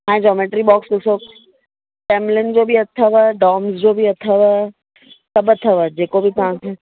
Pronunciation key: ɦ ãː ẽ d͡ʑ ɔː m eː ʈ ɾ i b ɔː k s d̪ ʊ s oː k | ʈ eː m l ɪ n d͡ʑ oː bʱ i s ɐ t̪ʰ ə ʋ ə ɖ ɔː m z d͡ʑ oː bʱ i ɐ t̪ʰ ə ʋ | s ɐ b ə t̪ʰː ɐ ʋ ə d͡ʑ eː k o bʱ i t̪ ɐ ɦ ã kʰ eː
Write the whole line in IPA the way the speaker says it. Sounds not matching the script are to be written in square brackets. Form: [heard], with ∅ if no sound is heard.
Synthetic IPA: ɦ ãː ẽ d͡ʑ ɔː m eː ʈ ɾ i b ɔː k s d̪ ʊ s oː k | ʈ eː m l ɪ n d͡ʑ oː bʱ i [∅] ɐ t̪ʰ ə ʋ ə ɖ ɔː m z d͡ʑ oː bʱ i ɐ t̪ʰ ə ʋ | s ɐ b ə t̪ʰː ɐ ʋ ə d͡ʑ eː k o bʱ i t̪ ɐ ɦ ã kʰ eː

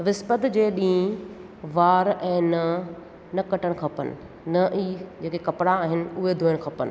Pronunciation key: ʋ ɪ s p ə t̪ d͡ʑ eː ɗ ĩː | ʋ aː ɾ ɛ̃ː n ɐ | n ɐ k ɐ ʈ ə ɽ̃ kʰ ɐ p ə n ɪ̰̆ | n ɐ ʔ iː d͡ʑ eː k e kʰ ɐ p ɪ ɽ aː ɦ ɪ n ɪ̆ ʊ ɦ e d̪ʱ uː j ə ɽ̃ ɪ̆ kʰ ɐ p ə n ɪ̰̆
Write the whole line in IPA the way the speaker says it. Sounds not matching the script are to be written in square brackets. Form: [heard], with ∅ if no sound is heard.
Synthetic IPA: ʋ ɪ s p ə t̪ d͡ʑ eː ɗ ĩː | ʋ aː ɾ ɛ̃ː n ɐ | n ɐ k ɐ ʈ ə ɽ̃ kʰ ɐ p ə n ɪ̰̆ | n ɐ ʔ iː d͡ʑ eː k e [k] ɐ p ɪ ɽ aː ɦ ɪ n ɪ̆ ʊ ɦ e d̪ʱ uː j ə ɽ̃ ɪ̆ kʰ ɐ p ə n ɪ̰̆

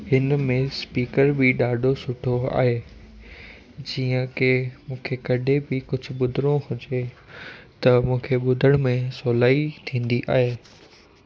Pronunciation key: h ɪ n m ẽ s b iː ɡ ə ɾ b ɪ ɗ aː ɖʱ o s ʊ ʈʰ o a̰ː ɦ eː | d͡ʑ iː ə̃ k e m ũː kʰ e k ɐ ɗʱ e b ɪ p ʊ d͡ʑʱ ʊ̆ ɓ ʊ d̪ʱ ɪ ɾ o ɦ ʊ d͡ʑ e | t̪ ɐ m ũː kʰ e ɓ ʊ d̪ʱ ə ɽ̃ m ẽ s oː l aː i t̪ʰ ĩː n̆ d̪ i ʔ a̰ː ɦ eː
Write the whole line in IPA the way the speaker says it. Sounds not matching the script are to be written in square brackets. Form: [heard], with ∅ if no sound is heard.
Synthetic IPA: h ɪ n m ẽ s [p] iː [k] ə ɾ b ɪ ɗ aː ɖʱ o s ʊ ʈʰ o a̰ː ɦ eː | d͡ʑ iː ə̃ k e m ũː kʰ e k ɐ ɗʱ e b ɪ [k] ʊ d͡ʑʱ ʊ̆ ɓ ʊ d̪ʱ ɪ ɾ o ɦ ʊ d͡ʑ e | t̪ ɐ m ũː kʰ e ɓ ʊ d̪ʱ ə ɽ̃ m ẽ s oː l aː i t̪ʰ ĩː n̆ d̪ i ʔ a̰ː ɦ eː

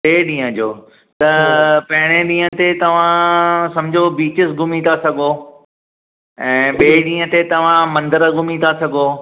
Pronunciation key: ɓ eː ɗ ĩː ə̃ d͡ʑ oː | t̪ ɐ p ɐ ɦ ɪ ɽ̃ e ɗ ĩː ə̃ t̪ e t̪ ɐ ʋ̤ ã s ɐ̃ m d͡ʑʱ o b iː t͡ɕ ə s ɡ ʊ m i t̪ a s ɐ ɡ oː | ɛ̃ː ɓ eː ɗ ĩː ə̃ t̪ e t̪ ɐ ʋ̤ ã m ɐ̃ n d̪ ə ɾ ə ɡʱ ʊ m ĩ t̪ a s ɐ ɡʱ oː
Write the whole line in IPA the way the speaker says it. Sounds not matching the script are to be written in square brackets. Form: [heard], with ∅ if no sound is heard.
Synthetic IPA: ɓ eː ɗ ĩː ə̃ d͡ʑ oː | t̪ ɐ p ɐ ɦ ɪ ɽ̃ e ɗ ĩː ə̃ t̪ e t̪ ɐ ʋ̤ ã s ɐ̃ m d͡ʑʱ o b iː t͡ɕ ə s ɡ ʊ m i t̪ a s ɐ ɡ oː | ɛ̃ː ɓ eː ɗ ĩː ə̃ t̪ e t̪ ɐ ʋ̤ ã m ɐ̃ n d̪ ə ɾ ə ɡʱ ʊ m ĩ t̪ a s ɐ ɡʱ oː

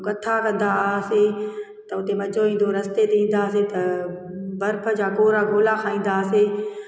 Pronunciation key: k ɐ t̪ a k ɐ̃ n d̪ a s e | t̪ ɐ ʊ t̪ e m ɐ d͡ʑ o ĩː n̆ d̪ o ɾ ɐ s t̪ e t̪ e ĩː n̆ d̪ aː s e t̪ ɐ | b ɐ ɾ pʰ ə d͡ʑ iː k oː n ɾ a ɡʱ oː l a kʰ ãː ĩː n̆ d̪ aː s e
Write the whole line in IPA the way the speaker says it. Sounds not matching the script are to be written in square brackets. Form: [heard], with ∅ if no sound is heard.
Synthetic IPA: k ɐ [t̪ʰ] a k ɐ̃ n d̪ a s e | t̪ ɐ ʊ t̪ e m ɐ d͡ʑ o ĩː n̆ d̪ o ɾ ɐ s t̪ e t̪ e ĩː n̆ d̪ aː s e t̪ ɐ | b ɐ ɾ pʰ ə d͡ʑ [aː] k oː [∅] ɾ a ɡʱ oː l a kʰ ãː ĩː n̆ d̪ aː s e

